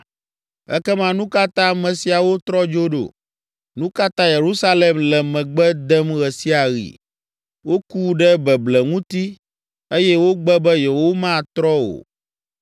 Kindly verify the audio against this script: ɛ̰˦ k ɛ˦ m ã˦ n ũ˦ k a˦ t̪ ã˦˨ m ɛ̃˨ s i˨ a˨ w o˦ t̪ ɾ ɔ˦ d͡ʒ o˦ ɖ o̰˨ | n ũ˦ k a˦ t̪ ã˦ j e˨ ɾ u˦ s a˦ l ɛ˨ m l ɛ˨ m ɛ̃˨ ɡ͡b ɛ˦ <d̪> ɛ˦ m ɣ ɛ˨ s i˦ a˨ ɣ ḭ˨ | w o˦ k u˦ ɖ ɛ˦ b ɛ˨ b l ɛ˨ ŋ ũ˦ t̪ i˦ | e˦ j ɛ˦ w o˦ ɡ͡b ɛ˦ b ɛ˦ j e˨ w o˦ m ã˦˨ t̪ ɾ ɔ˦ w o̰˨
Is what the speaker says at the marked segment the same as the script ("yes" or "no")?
yes